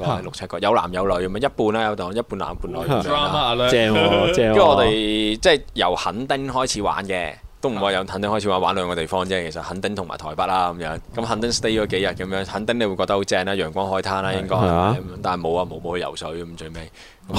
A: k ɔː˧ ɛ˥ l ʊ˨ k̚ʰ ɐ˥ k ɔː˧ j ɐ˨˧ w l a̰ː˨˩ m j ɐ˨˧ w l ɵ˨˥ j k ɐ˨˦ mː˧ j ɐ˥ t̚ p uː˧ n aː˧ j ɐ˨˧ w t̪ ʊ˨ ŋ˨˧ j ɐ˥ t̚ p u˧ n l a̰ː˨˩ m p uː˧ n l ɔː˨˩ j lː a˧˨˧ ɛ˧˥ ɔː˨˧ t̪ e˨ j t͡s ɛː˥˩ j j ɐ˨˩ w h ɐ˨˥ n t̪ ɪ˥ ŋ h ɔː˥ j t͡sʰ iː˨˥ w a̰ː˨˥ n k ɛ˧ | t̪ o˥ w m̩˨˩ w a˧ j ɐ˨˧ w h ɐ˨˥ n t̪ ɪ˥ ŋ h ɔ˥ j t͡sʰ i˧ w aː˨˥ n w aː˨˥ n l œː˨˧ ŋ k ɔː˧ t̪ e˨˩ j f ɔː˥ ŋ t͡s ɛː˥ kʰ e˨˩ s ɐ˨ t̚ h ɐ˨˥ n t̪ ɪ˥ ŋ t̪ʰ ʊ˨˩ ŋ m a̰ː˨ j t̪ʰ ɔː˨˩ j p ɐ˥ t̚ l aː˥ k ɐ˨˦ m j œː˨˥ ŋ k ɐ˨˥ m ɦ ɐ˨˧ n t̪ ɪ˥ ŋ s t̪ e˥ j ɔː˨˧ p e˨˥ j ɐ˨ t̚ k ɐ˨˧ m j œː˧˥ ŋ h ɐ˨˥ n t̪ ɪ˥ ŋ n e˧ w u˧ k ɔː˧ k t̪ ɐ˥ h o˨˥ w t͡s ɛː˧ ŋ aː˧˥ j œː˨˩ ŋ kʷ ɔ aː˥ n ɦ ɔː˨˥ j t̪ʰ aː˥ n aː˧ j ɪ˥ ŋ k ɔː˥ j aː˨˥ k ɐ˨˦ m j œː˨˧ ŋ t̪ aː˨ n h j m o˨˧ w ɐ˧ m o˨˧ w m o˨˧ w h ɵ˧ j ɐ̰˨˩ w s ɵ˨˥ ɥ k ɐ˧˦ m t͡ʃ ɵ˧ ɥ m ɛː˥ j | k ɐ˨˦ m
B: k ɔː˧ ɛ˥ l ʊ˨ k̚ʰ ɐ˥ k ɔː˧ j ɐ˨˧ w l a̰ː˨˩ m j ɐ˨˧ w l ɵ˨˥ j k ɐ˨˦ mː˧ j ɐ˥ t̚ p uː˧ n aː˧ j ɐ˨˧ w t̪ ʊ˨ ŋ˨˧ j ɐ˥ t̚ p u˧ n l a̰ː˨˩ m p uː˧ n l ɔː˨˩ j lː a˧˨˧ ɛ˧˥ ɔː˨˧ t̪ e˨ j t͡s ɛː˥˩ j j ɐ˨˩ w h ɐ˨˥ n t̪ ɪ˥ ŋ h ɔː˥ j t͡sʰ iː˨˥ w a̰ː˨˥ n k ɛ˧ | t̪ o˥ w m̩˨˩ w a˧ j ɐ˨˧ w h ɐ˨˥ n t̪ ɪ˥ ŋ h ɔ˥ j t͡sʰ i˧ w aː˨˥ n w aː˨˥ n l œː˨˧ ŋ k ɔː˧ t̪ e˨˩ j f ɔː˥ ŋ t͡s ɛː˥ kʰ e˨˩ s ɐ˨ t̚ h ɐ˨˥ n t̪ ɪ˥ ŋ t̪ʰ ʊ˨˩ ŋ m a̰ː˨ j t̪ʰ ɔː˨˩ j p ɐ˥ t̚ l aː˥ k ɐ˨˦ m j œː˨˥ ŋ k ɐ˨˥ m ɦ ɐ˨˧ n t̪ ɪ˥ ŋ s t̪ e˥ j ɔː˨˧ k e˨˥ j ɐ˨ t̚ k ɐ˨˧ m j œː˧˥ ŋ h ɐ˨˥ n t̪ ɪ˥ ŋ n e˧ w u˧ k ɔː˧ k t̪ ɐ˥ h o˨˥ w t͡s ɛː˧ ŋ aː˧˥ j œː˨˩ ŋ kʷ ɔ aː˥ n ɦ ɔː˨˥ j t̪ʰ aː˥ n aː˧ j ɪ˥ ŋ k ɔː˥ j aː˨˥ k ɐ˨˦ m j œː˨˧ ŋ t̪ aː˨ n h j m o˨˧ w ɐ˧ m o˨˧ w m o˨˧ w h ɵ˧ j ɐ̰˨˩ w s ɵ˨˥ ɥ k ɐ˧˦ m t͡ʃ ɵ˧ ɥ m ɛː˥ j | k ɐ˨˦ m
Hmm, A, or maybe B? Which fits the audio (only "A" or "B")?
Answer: B